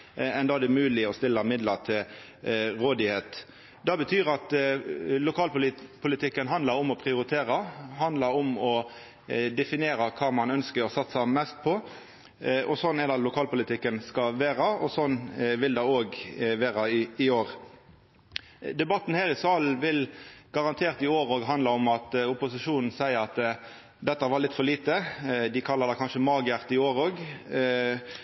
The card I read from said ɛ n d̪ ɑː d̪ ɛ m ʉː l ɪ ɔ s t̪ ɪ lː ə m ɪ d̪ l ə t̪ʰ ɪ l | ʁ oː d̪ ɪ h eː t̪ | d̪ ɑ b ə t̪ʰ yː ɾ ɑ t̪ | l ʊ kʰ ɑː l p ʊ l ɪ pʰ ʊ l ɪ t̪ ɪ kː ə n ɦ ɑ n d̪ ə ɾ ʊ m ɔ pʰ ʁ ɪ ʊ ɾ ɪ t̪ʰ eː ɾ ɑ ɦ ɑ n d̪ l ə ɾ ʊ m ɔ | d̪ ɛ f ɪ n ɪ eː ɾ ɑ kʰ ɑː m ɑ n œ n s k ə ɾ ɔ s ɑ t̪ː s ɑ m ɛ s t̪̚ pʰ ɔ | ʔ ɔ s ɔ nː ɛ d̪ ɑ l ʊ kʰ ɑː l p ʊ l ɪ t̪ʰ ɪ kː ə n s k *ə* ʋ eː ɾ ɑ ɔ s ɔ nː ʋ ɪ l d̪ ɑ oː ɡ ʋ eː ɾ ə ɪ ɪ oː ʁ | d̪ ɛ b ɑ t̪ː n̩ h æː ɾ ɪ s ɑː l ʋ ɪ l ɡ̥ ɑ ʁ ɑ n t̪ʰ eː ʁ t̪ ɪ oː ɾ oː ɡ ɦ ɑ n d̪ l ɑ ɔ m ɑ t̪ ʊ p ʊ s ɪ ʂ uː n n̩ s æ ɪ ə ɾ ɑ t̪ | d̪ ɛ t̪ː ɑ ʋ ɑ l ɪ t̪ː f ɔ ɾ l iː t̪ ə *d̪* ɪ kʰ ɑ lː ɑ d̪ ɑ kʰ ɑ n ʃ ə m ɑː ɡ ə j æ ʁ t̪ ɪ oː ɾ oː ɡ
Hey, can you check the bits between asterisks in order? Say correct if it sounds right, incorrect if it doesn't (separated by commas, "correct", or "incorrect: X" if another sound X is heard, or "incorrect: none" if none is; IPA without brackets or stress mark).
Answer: incorrect: ɑ, correct